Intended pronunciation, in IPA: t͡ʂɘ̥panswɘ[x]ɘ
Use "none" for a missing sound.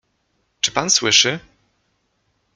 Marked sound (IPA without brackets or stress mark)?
ʂ